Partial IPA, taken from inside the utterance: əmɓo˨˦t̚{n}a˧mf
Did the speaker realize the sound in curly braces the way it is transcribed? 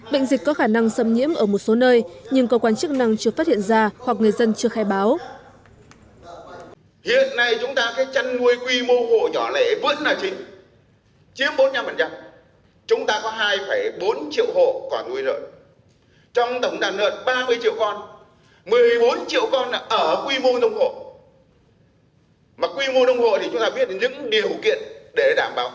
no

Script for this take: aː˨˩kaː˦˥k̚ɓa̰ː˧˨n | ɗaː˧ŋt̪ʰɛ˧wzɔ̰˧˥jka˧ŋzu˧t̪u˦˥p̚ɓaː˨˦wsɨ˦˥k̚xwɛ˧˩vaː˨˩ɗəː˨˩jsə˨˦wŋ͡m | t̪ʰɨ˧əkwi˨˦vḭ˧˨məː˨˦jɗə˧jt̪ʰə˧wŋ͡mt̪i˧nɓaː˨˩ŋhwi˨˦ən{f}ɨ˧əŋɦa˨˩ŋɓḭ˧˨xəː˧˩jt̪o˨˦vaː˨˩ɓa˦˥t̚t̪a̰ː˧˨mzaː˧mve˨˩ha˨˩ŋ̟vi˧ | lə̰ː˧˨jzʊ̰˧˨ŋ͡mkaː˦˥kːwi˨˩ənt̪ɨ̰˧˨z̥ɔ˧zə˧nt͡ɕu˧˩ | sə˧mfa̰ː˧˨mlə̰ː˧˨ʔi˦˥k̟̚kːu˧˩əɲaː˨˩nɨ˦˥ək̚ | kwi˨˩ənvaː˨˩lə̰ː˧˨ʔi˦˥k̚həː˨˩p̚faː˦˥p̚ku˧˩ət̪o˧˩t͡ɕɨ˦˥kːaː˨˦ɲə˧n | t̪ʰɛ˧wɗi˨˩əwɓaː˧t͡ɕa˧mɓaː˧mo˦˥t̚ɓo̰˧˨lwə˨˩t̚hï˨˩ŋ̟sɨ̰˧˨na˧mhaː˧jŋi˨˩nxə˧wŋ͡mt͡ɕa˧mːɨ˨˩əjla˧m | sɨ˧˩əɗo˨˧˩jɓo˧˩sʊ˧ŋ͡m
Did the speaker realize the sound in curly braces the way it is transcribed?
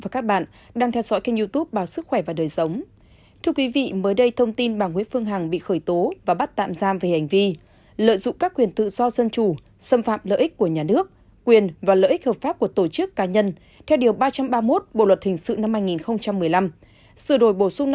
yes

